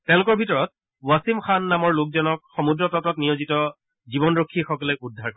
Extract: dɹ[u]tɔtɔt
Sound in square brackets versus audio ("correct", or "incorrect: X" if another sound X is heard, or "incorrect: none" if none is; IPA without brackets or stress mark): incorrect: ɔ